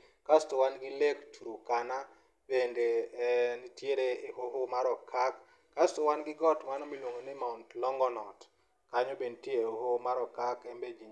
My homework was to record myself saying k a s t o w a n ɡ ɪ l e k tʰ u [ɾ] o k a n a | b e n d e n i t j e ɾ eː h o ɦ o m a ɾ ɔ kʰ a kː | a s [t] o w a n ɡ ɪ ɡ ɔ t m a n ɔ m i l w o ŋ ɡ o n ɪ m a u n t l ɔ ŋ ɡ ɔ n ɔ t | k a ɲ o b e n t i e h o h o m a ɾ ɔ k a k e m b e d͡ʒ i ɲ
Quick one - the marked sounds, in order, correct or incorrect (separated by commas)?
correct, correct